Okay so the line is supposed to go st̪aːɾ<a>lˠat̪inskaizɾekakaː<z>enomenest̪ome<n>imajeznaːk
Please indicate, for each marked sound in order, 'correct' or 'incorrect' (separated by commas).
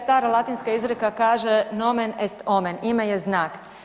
correct, incorrect, correct